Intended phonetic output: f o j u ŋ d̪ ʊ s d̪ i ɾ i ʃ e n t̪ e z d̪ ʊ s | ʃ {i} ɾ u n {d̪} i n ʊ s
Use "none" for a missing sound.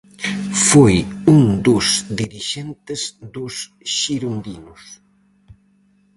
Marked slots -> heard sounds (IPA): i, d̪

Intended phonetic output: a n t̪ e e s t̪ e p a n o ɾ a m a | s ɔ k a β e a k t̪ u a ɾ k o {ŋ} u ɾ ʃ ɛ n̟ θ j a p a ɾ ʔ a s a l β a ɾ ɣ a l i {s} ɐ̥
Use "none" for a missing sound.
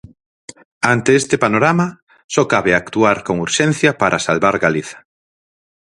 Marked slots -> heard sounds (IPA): ŋ, θ

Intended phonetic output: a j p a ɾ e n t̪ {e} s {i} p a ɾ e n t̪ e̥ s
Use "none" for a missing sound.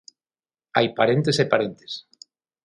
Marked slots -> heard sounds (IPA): e, e

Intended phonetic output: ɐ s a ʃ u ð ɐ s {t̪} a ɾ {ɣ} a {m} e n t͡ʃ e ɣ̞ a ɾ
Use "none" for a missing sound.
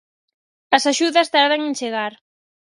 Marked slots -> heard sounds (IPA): t̪, ð, ŋ

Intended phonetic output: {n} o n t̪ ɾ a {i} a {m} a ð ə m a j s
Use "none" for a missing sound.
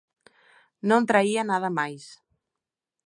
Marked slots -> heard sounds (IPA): n, i, n

